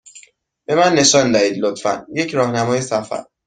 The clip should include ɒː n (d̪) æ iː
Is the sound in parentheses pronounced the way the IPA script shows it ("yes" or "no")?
yes